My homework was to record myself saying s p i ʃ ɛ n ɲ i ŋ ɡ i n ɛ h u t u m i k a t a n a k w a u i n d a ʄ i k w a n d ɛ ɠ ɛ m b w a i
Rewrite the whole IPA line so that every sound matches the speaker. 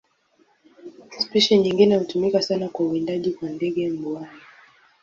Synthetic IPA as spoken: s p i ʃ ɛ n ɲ i ŋ ɡ i n ɛ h u t u m i k a s a n a k w a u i n d a ʄ i k w a n d ɛ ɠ ɛ m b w a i